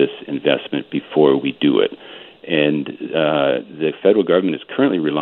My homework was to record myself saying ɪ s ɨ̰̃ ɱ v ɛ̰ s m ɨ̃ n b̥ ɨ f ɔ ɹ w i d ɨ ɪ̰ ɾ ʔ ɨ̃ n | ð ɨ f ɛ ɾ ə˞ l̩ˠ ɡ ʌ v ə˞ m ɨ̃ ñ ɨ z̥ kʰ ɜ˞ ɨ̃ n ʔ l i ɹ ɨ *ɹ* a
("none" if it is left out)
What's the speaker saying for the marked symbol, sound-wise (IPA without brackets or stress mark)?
l